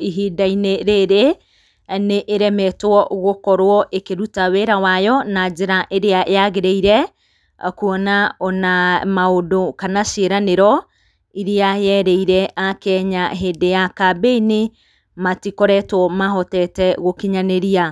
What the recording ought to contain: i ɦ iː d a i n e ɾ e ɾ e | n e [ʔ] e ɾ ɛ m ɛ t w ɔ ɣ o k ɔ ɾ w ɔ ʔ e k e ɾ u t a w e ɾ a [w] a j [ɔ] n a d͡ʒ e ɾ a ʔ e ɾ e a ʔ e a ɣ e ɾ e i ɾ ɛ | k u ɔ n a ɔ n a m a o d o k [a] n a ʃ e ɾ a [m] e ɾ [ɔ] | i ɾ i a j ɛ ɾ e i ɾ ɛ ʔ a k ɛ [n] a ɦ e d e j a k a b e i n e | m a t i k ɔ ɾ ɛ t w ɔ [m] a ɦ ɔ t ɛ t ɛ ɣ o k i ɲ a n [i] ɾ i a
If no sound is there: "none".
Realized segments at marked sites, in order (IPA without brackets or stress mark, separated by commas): ʔ, w, ɔ, a, n, ɔ, ɲ, m, e